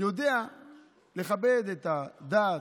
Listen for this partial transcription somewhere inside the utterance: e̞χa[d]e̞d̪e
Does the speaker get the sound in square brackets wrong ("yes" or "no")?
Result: yes